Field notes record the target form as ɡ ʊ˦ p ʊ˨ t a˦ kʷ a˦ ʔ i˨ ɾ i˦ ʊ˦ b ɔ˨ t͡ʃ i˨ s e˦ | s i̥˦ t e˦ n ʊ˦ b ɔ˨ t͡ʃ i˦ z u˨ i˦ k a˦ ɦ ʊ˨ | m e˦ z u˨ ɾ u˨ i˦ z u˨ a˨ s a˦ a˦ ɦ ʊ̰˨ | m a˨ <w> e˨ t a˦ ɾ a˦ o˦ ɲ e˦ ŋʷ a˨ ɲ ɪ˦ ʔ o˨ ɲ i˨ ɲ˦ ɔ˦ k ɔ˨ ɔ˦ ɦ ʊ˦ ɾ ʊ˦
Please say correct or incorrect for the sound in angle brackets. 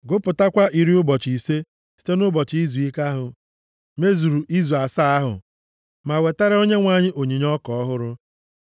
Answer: correct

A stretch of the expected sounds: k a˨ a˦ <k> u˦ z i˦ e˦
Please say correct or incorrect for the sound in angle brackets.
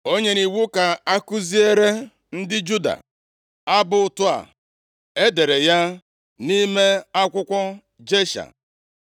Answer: correct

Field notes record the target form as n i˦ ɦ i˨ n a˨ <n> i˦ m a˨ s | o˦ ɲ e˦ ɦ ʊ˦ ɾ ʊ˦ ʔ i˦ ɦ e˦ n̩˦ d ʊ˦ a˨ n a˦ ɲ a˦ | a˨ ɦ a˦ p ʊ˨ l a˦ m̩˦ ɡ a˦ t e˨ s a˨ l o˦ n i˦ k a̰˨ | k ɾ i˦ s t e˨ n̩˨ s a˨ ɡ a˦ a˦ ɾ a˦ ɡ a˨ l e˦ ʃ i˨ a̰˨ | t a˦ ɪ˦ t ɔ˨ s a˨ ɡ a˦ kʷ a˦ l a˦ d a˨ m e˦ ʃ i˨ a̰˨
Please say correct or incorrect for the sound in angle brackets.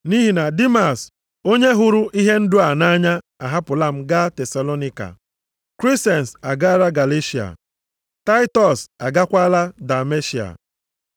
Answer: incorrect: d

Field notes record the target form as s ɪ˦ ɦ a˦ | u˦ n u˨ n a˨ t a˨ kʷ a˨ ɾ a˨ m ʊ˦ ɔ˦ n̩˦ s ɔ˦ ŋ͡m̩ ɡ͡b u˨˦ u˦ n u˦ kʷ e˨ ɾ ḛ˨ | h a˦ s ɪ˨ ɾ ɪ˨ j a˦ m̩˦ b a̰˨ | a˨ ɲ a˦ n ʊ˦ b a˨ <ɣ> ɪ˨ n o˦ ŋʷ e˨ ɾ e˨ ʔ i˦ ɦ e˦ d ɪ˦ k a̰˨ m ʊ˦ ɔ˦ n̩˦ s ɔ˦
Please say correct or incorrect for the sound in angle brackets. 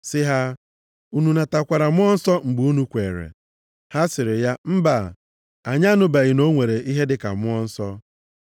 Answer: correct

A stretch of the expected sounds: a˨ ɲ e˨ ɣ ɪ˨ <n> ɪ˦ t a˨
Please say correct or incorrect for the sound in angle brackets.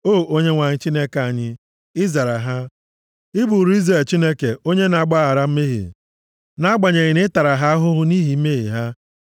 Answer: correct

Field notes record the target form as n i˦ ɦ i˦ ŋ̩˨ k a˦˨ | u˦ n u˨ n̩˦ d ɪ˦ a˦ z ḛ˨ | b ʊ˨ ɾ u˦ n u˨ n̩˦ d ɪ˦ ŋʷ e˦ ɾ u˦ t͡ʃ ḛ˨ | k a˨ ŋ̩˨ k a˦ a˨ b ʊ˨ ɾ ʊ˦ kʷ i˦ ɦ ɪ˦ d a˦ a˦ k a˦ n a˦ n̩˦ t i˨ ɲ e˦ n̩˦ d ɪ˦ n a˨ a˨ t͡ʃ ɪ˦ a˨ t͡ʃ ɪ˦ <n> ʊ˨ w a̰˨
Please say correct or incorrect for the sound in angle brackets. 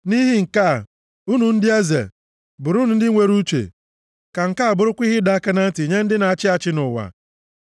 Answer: correct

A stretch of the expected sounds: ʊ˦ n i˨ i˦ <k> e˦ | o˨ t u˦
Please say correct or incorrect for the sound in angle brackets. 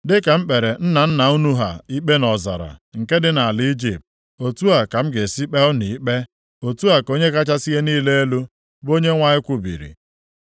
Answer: incorrect: k͡p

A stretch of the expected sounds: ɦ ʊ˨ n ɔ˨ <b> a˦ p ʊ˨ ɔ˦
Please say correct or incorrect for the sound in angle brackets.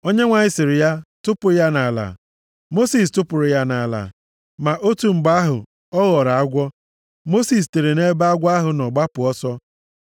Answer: incorrect: ɡ͡b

